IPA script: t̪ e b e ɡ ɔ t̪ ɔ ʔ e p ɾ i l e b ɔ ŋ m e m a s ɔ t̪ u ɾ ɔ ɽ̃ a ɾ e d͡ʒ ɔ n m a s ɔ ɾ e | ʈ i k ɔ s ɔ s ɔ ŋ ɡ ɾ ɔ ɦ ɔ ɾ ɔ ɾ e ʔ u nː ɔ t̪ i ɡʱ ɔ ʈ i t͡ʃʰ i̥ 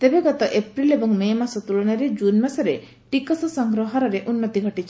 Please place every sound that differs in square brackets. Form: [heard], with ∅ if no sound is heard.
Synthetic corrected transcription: t̪ e b e ɡ ɔ t̪ ɔ ʔ e p ɾ i l e b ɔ ŋ m e m a s ɔ t̪ u [l] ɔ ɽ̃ a ɾ e d͡ʒ [u] n m a s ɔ ɾ e | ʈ i k ɔ s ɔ s ɔ ŋ ɡ ɾ ɔ ɦ ɔ ɾ ɔ ɾ e ʔ u nː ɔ t̪ i ɡʱ ɔ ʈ i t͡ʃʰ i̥